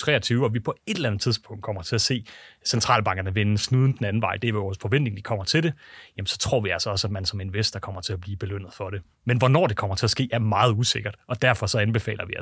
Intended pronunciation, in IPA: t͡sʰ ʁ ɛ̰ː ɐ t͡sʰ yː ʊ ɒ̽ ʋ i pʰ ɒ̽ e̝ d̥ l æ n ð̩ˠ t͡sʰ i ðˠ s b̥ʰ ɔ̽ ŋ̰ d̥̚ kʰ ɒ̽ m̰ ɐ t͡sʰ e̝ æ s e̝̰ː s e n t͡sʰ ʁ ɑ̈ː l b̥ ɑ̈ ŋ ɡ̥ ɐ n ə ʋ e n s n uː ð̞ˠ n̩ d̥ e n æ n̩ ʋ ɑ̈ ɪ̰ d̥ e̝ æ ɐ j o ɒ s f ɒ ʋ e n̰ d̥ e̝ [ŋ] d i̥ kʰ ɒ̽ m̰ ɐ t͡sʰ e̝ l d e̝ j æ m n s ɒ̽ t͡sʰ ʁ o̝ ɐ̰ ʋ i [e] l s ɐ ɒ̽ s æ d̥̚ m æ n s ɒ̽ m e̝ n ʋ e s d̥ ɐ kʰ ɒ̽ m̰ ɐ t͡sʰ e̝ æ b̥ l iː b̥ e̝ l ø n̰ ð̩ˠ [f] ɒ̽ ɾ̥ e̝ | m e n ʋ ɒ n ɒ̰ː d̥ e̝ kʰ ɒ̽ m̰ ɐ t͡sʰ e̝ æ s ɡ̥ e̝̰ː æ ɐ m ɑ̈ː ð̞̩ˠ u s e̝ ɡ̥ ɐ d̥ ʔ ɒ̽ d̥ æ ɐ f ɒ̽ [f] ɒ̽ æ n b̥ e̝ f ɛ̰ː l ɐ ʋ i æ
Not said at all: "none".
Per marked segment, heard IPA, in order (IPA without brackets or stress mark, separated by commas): ŋ, æ, f, s